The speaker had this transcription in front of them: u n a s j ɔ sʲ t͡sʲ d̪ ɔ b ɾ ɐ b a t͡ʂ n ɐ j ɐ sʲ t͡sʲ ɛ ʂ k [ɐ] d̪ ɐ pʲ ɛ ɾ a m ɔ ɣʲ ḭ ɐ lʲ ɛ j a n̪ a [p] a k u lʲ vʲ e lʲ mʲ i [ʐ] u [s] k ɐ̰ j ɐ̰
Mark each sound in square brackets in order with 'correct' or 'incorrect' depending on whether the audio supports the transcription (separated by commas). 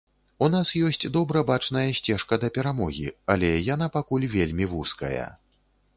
correct, correct, incorrect, correct